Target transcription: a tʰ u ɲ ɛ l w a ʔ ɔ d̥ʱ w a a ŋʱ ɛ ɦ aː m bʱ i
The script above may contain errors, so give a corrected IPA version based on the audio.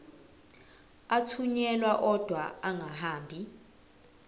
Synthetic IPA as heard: a tʰ u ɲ ɛ l w a ʔ ɔ d̥ʱ w a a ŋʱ a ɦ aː m bʱ i